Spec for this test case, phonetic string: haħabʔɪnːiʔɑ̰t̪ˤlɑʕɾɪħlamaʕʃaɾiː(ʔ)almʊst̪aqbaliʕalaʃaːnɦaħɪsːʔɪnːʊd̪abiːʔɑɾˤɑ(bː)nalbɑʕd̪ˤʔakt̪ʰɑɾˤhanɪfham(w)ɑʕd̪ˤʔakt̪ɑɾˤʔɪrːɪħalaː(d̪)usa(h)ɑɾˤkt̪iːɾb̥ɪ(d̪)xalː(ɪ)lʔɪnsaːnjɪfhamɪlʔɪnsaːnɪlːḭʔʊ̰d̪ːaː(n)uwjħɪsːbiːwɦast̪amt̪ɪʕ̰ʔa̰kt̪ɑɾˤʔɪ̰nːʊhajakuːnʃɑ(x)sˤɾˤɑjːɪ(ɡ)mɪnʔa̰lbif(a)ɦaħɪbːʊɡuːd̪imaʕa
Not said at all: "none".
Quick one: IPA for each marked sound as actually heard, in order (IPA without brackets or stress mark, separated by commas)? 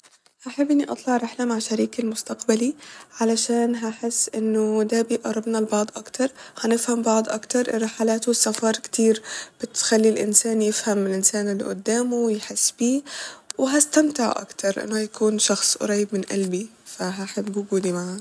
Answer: k, b, b, t̪, f, t̪, i, m, x, b, a